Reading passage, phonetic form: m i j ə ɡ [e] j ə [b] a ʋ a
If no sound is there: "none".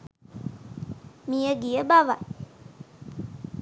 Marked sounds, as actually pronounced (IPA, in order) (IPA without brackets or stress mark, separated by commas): i, b